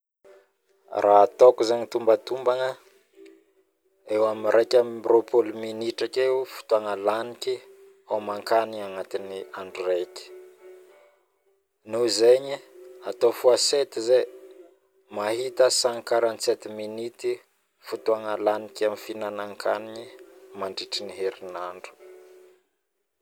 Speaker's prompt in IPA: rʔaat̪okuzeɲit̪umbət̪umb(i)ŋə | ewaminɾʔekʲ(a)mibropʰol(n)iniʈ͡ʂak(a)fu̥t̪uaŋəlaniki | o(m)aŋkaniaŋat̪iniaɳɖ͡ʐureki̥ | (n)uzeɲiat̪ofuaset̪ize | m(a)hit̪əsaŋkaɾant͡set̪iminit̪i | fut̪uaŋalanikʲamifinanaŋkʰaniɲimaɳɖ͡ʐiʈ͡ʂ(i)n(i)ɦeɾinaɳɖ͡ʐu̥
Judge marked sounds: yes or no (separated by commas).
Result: no, yes, no, no, yes, yes, yes, yes, yes